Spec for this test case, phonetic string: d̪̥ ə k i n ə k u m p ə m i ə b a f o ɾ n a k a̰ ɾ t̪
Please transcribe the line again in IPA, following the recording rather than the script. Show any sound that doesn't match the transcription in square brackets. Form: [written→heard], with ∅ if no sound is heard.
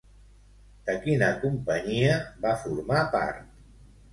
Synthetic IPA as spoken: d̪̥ ə k i n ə k u m p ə [m→ɲ] i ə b a f [o→u] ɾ [n→m] a [k→p] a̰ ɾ t̪

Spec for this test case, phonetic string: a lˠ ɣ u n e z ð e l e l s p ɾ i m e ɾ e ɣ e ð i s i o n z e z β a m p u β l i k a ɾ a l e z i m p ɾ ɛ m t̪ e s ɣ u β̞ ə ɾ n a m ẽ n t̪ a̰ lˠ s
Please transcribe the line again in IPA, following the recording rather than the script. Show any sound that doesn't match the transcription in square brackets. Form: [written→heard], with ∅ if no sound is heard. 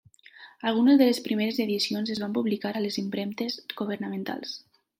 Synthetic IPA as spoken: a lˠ ɣ u n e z ð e l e [l→∅] s p ɾ i m e ɾ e [ɣ→z] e ð i s i o n z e z β a m p u β l i k a ɾ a l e z i m p ɾ ɛ m t̪ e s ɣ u β̞ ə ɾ n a m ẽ n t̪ a̰ lˠ s

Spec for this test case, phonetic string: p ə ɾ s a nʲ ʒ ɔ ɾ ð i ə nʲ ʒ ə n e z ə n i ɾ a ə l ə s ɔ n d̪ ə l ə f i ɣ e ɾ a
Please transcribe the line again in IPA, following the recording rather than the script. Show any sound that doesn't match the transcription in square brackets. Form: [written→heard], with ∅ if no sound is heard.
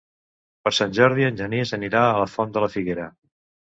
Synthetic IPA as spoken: p ə ɾ s a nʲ ʒ ɔ ɾ ð i ə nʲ ʒ ə n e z ə n i ɾ a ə l ə [s→f] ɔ n d̪ ə l ə f i ɣ e ɾ [a→ə]

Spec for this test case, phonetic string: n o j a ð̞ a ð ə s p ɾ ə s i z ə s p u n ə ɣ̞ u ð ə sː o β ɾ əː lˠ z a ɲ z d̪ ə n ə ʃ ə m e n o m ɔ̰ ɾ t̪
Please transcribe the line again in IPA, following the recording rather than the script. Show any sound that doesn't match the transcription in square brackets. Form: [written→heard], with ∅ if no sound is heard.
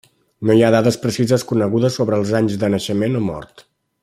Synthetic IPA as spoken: n o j a ð̞ a ð ə s p ɾ ə s i z ə s [p→k] u n ə ɣ̞ u ð ə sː o β ɾ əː lˠ z a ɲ z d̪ ə n ə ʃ ə m e n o m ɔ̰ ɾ t̪

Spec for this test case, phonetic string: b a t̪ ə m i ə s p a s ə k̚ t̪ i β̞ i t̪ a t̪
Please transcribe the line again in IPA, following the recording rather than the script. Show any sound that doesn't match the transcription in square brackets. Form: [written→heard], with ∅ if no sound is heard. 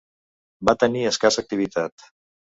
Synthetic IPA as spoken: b a t̪ ə [m→n] i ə s [p→k] a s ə k̚ t̪ i β̞ i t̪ a t̪

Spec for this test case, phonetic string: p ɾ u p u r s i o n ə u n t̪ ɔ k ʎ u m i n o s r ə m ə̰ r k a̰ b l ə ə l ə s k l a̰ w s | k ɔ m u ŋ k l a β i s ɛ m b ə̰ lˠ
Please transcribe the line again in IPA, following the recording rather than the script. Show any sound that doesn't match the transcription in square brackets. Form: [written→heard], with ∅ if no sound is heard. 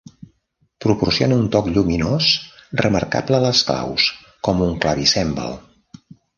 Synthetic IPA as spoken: p ɾ u p u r s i o n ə u n t̪ ɔ k ʎ u m i n o s r ə m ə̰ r k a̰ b l ə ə l ə s k l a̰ w s | k ɔ m u ŋ k l a β i s ɛ m b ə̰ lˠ

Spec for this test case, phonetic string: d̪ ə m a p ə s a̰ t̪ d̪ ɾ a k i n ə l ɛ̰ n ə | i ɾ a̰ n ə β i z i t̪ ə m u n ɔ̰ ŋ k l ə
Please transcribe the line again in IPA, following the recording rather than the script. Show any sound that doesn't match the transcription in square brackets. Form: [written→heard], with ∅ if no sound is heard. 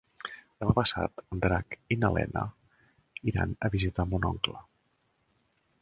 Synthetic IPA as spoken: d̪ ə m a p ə s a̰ t̪ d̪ ɾ a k i n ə l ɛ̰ n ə | i ɾ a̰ n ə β i z i t̪ [ə→a] m u n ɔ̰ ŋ k l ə

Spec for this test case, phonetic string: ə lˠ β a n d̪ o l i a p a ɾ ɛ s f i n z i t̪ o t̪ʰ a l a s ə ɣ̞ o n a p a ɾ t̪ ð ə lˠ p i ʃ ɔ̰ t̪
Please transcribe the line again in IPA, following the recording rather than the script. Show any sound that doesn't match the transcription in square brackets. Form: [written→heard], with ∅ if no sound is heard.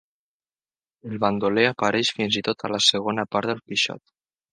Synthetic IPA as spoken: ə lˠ β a n d̪ o l [i→e] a p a ɾ ɛ [s→ʃ] f i n z i t̪ o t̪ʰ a l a s ə ɣ̞ o n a p a ɾ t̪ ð ə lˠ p i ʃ ɔ̰ t̪

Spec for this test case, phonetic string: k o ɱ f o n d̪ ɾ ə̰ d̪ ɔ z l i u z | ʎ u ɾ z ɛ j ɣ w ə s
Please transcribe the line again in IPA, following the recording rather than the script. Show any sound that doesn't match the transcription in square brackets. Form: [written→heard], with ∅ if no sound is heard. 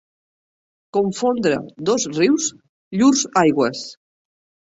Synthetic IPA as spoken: k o ɱ f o n d̪ ɾ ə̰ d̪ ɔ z [l→r] i [u→w] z | ʎ u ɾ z [ɛ→a] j ɣ w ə s

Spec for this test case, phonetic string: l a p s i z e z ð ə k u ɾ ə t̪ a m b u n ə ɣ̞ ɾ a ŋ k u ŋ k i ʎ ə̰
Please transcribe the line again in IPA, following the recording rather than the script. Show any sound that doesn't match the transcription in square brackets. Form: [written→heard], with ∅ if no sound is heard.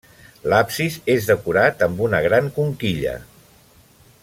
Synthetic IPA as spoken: l a p s i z e z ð ə k u ɾ [ə→a] t̪ [a→ə] m b u n ə ɣ̞ ɾ a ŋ k u ŋ k i ʎ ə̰

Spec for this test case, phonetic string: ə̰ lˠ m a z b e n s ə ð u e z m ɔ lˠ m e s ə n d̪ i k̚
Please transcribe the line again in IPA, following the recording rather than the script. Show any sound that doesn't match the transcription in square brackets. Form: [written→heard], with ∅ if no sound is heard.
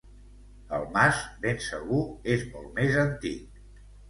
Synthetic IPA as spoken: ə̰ lˠ m a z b e n s ə [ð→ɣ] u e z m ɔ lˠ m e [s→z] ə n [d̪→t̪] i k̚

